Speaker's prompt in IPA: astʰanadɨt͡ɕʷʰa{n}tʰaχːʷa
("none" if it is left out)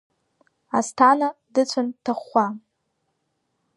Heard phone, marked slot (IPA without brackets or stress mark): n